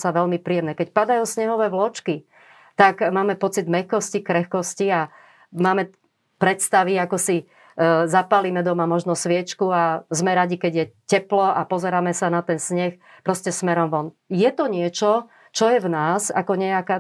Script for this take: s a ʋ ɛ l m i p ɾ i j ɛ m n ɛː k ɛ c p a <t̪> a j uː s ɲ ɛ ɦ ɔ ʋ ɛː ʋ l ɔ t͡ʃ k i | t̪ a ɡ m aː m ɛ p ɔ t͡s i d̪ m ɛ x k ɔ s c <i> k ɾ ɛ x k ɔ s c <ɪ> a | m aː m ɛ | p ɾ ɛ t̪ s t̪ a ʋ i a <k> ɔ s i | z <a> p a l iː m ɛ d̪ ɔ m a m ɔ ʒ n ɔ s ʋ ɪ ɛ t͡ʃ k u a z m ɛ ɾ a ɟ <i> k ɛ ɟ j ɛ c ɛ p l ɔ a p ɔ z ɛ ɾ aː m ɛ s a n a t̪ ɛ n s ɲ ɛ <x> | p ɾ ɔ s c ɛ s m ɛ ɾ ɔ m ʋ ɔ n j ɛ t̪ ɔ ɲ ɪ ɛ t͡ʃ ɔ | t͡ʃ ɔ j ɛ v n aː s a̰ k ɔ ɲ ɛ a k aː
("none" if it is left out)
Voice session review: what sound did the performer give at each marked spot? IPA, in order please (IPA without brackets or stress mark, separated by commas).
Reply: d̪, i, i, k, a, i, x